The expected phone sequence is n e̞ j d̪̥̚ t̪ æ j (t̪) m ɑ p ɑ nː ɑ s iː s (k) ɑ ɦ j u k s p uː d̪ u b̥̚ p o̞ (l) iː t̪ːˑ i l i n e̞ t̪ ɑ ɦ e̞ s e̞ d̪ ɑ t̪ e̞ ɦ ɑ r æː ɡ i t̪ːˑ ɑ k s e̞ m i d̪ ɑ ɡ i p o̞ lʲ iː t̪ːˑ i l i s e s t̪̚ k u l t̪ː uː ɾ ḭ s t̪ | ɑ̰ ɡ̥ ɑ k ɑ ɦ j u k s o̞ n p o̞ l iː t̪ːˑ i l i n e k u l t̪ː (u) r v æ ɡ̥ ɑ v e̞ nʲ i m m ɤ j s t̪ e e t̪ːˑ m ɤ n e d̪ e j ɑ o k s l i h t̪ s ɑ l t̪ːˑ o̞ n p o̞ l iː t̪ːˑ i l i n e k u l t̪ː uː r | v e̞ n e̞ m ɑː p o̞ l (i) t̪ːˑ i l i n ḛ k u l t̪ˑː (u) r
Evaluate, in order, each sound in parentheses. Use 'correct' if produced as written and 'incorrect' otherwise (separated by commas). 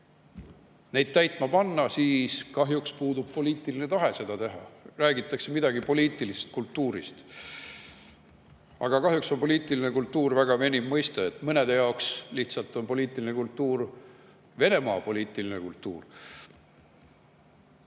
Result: correct, correct, correct, incorrect, incorrect, incorrect